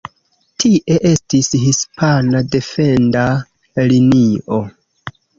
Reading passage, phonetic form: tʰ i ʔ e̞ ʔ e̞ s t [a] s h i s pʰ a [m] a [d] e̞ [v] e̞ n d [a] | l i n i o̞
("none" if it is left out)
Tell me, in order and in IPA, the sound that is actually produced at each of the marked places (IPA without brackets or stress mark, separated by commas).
i, n, d, f, a